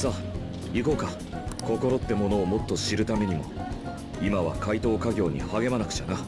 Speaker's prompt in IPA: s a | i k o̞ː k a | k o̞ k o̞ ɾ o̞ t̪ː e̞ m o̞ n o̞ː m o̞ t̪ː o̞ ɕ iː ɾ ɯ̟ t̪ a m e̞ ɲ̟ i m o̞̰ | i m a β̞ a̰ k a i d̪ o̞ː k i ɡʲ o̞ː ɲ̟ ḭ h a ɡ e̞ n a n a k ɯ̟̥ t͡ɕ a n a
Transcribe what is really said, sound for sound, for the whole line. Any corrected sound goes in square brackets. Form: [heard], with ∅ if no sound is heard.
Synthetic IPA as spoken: s a | i k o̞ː k a | k o̞ k o̞ ɾ o̞ t̪ː e̞ m o̞ n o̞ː m o̞ t̪ː o̞ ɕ [i] ɾ ɯ̟ t̪ a m e̞ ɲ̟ i m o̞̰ | i m a β̞ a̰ k a i [t̪] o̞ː k [a] ɡʲ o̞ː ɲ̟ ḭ h a ɡ e̞ [m] a n a k ɯ̟̥ t͡ɕ a n a